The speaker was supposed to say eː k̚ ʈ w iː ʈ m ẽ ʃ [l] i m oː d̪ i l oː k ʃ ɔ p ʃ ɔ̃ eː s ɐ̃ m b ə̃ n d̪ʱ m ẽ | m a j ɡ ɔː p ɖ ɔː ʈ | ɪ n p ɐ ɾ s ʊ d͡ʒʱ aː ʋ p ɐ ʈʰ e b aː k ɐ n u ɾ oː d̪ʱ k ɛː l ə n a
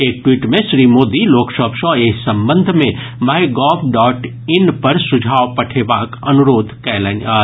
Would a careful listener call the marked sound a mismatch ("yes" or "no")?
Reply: yes